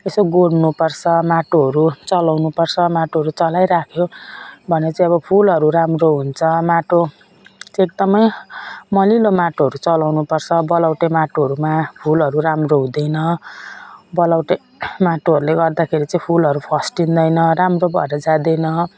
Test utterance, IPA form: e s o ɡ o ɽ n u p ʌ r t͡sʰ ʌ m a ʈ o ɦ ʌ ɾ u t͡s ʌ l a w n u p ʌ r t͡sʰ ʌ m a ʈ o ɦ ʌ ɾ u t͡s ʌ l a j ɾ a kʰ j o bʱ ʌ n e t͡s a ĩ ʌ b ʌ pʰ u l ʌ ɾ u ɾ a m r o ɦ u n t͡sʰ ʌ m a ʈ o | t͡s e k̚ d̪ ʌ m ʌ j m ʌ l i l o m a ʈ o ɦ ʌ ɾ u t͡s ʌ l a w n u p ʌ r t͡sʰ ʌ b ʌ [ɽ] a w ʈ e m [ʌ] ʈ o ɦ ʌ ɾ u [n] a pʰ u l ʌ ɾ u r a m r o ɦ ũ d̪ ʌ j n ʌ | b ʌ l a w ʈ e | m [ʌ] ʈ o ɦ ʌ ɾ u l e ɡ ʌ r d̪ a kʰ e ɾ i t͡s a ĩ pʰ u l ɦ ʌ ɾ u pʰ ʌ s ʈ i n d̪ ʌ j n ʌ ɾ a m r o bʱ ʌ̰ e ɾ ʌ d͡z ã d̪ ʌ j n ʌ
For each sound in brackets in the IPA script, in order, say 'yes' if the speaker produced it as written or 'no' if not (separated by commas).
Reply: no, no, no, no